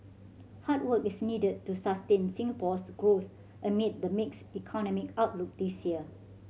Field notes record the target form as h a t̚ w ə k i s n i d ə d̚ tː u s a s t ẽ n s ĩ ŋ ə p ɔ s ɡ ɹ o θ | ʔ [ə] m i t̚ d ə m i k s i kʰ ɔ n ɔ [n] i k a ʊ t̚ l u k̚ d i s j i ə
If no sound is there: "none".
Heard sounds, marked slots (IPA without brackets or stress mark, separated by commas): ə, m